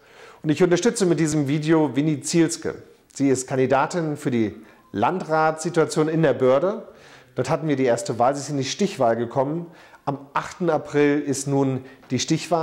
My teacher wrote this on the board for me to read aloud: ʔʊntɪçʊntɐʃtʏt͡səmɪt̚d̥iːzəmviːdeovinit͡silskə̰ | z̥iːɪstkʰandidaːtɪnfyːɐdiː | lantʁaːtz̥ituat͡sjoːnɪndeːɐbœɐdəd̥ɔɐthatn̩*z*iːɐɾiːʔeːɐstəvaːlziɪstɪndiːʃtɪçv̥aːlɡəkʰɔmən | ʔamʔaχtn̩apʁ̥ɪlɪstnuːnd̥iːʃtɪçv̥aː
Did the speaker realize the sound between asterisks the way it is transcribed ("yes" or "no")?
no